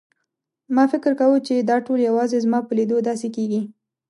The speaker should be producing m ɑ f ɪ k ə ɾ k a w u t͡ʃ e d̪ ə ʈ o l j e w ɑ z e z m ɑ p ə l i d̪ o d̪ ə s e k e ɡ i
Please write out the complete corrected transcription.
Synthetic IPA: m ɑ f ɪ k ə ɾ k a w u t͡ʃ e d̪ ɑ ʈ o l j a w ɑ z e z m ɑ p ə l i d̪ o d̪ ɑ s e k e ɡ i